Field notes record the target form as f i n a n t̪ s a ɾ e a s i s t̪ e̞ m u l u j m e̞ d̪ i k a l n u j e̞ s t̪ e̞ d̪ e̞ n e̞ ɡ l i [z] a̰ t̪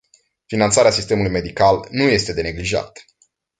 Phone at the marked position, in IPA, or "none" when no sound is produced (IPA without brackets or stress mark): ʒ